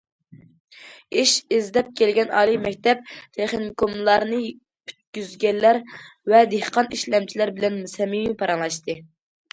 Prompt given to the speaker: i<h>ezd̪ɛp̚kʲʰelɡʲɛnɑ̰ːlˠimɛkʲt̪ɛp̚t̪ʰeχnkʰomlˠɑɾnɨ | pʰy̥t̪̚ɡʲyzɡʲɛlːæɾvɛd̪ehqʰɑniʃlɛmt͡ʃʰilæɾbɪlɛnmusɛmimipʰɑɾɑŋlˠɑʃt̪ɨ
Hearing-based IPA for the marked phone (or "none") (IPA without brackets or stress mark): ʃ